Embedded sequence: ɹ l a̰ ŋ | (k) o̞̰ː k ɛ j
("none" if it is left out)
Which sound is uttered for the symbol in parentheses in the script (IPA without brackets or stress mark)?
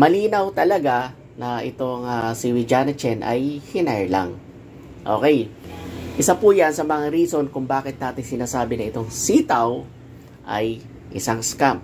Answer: ʔ